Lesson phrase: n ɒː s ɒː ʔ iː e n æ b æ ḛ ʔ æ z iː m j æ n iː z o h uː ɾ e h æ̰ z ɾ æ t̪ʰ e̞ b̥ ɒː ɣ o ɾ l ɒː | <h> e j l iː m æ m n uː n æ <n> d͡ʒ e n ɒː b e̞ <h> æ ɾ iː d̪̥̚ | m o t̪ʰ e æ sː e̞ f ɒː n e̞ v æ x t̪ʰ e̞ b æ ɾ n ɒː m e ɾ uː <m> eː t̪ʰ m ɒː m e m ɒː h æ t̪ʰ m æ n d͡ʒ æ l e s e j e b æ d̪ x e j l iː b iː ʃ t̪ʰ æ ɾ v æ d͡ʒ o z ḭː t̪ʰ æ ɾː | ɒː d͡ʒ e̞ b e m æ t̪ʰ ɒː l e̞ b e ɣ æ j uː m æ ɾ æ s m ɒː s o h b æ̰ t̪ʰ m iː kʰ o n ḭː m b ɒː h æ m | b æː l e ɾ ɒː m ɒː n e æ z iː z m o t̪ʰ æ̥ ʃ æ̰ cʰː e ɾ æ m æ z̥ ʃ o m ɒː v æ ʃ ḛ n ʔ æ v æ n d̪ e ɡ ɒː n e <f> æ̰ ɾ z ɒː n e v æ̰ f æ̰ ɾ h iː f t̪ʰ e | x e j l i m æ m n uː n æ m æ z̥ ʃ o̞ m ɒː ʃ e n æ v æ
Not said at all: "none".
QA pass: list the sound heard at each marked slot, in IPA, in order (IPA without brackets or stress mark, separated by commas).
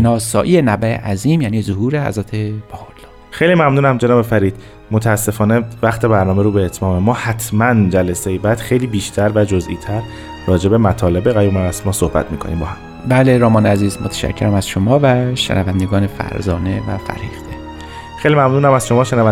x, m, f, b, f